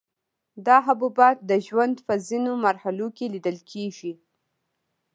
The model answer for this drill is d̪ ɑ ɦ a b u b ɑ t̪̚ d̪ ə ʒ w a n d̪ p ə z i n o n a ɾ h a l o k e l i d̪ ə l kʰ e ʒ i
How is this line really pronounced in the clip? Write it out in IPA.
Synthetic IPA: d̪ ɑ ɦ a b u b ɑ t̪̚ d̪ ə ʒ w a n d̪ p ə z i n o m a ɾ h a l o k e l i d̪ ə l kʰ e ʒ i